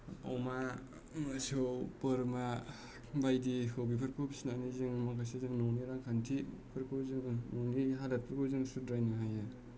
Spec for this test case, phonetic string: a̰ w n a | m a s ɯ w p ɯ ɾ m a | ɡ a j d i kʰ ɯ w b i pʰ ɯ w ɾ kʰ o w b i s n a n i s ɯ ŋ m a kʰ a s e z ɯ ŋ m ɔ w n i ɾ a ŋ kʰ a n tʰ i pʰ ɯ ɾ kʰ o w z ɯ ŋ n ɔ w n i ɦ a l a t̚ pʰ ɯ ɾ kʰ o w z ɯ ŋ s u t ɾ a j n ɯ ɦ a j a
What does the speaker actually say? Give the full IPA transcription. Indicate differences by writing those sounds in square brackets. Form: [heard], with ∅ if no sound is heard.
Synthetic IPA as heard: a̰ w [m] a | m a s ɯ w p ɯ ɾ m a | [b] a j d i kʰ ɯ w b i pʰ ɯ [∅] ɾ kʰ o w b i s n a n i [z] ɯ ŋ m a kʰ a s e z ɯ ŋ [n] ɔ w n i ɾ a ŋ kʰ a n tʰ i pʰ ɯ ɾ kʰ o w z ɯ ŋ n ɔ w n i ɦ a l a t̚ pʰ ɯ ɾ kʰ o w z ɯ ŋ s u [d] ɾ a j n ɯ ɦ a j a